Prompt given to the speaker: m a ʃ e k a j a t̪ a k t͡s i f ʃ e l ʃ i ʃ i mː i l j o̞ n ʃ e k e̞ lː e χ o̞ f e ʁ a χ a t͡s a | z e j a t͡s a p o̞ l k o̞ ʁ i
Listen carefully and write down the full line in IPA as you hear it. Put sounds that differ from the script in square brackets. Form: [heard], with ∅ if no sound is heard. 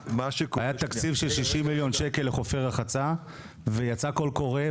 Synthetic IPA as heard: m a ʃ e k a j a t̪ a k t͡s i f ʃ e l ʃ i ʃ i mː i l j o̞ n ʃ e k e̞ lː e χ o̞ f e ʁ a χ a t͡s a | [v] e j a t͡s a [k] o̞ l k o̞ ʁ [e]